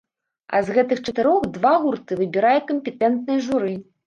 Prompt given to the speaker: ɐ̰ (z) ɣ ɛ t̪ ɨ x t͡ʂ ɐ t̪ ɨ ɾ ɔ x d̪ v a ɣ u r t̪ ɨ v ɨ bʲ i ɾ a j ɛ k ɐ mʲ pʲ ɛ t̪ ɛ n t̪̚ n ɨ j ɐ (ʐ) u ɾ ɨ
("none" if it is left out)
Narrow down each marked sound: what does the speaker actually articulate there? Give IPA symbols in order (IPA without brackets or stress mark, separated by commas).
z, ʐ